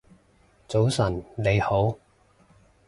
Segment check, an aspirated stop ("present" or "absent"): absent